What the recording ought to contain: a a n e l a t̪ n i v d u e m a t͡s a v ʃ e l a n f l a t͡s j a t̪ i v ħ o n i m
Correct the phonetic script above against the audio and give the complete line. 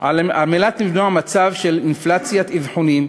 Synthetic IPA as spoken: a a m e l a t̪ n i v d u a m a t͡s a v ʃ e l i n f l a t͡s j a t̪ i v ħ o n i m